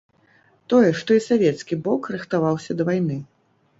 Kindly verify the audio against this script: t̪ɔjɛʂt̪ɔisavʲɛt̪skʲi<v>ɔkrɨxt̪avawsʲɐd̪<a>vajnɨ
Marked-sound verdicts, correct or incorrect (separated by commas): incorrect, incorrect